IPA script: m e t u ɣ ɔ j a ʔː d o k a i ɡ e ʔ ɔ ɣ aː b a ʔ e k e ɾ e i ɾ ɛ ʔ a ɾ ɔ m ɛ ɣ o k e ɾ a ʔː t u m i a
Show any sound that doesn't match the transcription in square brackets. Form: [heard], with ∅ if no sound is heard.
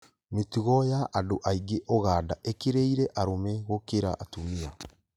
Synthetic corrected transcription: m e t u ɣ ɔ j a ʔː d o [ʔ] a i ɡ e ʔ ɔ ɣ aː [d] a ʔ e k e ɾ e i ɾ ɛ ʔ a ɾ [o] m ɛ ɣ o k e ɾ a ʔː t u m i a